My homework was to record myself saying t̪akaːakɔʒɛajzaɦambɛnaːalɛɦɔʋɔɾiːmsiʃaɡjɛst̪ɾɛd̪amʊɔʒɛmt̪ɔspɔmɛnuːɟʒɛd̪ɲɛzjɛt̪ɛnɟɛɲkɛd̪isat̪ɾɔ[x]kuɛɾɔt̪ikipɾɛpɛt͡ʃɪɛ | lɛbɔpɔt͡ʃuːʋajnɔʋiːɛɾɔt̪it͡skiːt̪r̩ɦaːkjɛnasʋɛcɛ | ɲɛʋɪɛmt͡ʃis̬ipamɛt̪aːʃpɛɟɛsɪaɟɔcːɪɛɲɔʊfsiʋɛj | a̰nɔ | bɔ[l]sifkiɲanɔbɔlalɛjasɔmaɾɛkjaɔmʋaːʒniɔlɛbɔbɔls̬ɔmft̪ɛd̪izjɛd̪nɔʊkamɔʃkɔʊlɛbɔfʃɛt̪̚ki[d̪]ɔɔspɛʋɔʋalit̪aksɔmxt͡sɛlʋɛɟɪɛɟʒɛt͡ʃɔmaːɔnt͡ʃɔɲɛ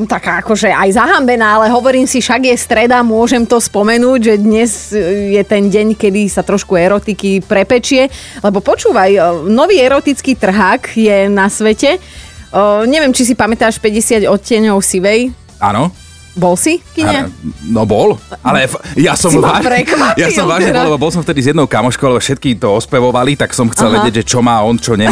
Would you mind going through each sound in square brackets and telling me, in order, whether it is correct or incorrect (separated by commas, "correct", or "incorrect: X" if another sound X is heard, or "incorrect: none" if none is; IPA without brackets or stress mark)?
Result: incorrect: ʃ, correct, incorrect: t̪